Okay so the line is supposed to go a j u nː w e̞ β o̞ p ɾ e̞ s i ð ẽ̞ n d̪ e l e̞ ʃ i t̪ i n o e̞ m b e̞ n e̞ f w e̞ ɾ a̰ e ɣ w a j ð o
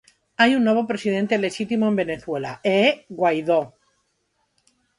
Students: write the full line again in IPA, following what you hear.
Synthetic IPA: a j u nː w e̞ β o̞ p ɾ e̞ s i ð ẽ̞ n t̪ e l e̞ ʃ i t̪ i m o e̞ m b e̞ n e̞ θ w e̞ l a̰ e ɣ w a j ð o